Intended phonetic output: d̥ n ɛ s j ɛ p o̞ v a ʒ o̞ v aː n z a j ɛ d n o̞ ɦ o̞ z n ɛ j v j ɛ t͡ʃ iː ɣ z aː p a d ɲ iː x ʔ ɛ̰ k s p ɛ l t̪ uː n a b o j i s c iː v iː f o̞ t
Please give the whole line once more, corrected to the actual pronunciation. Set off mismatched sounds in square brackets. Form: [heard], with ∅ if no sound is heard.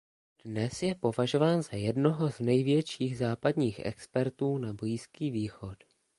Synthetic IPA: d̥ n ɛ s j ɛ p o̞ v a ʒ o̞ v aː n z a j ɛ d n o̞ ɦ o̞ z n ɛ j v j ɛ t͡ʃ iː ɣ z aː p a d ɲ iː x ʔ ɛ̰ k s p ɛ [ɾ] t̪ uː n a b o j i s [k] iː v iː [x] o̞ t